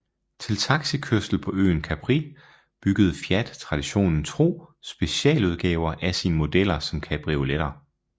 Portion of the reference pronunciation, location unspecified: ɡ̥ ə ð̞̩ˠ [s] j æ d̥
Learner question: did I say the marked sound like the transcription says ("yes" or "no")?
no